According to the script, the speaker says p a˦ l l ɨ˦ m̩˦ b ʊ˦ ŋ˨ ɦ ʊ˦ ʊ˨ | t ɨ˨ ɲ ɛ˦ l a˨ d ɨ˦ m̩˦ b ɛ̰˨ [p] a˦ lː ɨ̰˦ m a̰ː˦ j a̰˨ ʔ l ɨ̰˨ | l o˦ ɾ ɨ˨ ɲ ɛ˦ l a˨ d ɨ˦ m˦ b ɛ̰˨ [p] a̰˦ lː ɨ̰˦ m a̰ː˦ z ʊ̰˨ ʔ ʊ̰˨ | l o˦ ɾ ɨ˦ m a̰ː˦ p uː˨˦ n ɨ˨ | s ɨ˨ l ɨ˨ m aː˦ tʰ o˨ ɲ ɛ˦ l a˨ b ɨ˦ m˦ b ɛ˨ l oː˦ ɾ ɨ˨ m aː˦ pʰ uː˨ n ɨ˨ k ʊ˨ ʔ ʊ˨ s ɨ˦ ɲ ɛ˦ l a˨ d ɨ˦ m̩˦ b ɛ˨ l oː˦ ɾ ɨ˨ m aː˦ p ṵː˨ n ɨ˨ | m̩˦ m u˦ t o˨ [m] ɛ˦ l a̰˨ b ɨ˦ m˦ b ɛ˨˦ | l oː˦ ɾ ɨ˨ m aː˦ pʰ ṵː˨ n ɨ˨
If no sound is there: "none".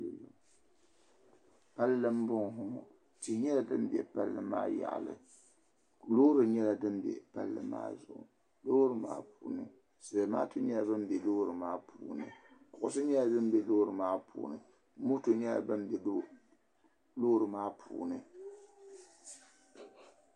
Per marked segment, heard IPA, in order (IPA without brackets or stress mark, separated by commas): p, p, ɲ